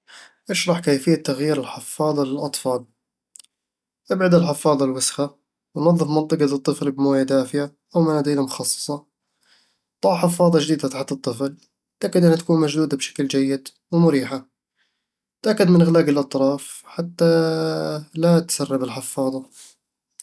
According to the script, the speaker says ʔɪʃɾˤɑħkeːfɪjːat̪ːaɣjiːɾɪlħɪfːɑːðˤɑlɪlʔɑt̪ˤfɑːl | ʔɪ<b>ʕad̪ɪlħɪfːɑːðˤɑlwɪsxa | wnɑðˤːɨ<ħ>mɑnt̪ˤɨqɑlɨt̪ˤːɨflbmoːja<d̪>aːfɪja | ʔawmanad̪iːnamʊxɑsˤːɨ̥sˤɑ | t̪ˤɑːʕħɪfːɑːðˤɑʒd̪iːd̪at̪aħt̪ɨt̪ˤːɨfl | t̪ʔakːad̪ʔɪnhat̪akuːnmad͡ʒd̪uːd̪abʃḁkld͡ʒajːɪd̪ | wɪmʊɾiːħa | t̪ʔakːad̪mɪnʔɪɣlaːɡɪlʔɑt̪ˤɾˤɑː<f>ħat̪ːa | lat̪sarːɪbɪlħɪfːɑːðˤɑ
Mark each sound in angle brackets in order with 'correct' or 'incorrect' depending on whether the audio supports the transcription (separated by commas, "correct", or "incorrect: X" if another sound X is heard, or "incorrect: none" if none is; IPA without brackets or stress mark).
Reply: correct, incorrect: f, correct, correct